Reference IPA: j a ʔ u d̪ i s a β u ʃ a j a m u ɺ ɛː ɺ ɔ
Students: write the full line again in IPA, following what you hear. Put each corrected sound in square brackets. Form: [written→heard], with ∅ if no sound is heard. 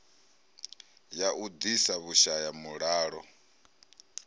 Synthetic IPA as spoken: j a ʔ u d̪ i s a β u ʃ a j a m u ɺ [ɛː→aː] ɺ ɔ